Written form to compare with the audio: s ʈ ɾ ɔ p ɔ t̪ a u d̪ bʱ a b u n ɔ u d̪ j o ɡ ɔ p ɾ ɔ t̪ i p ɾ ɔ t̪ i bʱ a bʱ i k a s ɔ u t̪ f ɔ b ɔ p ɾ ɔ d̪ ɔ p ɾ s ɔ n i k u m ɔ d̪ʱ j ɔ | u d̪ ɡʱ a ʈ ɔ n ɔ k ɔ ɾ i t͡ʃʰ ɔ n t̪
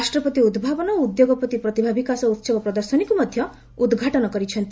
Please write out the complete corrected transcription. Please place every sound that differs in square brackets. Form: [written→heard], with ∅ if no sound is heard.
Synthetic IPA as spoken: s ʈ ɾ ɔ p ɔ t̪ [a→i] u d̪ bʱ a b [u→ɔ] n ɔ u d̪ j o ɡ ɔ p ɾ ɔ t̪ i p ɾ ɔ t̪ i bʱ a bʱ i k a s ɔ u t̪ [f→s] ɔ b ɔ p ɾ ɔ d̪ ɔ [p→∅] ɾ s ɔ n i k u m ɔ d̪ʱ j ɔ | u d̪ ɡʱ a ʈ ɔ n ɔ k ɔ ɾ i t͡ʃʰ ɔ n t̪